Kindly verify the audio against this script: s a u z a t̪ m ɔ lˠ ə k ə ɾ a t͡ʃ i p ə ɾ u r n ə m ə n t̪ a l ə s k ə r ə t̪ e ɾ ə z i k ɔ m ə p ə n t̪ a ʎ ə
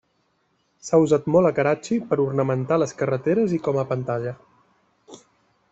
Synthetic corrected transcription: s a u z a t̪ m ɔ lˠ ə k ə ɾ a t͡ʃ i p ə ɾ u r n ə m ə n t̪ a l ə s k ə r ə t̪ e ɾ ə z i k ɔ m ə p ə n t̪ a ʎ ə

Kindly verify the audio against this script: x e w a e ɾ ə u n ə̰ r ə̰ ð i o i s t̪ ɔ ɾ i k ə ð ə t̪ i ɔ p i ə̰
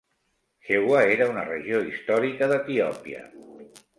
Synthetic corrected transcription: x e w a e ɾ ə u n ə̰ r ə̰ ʒ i o i s t̪ ɔ ɾ i k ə ð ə t̪ i ɔ p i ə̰

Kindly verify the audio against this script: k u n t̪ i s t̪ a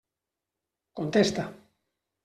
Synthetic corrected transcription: k o n t̪ e s t̪ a

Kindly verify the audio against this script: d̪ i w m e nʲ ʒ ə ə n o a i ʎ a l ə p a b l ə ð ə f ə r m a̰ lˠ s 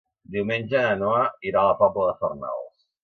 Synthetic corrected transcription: d̪ i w m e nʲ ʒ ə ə n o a i ɾ a l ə p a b l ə ð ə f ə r n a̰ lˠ s

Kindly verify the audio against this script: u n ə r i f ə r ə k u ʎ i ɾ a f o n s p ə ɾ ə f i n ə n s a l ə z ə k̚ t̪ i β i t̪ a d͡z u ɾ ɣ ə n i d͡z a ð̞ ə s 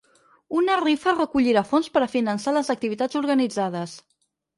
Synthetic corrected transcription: u n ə r i f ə r ə k u ʎ i ɾ a f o n s p ə ɾ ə f i n ə n s a l ə z ə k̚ t̪ i β i t̪ a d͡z u ɾ ɣ ə n i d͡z a ð̞ ə s

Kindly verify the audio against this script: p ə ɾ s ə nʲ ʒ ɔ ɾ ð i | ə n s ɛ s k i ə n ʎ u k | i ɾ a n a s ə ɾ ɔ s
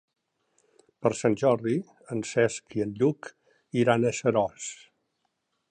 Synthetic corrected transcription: p ə ɾ s a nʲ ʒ ɔ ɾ ð i | ə n s ɛ s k i ə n ʎ u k | i ɾ a n ə s ə ɾ ɔ s

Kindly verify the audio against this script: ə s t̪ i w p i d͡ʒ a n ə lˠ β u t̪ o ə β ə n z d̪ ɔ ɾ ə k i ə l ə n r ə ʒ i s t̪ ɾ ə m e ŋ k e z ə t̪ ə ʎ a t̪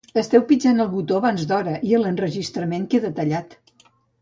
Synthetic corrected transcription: ə s t̪ ɛ w p i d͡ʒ a n ə lˠ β u t̪ o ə β a n z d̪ ɔ ɾ ə ʔ i ə l ə n r ə ʒ i s t̪ ɾ ə m e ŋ k e ð ə t̪ ə ʎ a t̪

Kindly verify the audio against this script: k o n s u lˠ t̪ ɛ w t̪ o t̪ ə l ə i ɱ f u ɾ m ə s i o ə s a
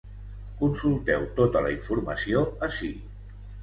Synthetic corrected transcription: k u n s u lˠ t̪ ɛ w t̪ o t̪ ə l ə i ɱ f u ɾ m ə s i o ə s i

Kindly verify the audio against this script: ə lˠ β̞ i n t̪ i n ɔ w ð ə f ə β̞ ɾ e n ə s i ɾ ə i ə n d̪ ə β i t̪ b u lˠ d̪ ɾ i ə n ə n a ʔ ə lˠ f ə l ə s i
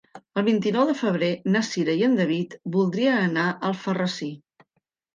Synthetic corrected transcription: ə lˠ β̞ i n t̪ i n ɔ w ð ə f ə β̞ ɾ e n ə s i ɾ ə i ə n d̪ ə β i t̪ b u lˠ d̪ ɾ i ə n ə n a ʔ ə lˠ f ə r ə s i

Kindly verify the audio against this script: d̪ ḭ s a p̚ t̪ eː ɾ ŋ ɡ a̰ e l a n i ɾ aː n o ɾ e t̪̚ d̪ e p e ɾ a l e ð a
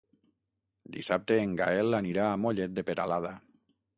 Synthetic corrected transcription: d̪ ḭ s a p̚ t̪ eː ŋ ɡ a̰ e l a n i ɾ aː m o ʎ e t̪̚ d̪ e p e ɾ a l a ð a

